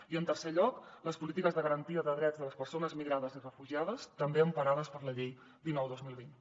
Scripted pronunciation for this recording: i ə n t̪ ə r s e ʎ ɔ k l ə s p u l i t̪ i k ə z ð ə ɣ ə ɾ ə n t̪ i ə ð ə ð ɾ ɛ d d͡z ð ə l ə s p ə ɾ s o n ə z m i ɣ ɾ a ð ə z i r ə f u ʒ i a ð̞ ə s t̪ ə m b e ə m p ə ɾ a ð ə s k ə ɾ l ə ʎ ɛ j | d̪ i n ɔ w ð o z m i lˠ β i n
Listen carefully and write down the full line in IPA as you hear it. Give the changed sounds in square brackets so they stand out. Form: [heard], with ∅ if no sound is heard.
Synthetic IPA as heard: i ə n t̪ ə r s e ʎ ɔ k l ə s p u l i t̪ i k ə z ð ə ɣ ə ɾ ə n t̪ i ə ð ə ð ɾ ɛ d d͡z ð ə l ə s p ə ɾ s o n ə z m i ɣ ɾ a ð ə z i r ə f u ʒ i a ð̞ ə s t̪ ə m b e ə m p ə ɾ a ð ə s [p] ə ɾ l ə ʎ [e] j | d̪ i n ɔ w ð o z m i lˠ β i n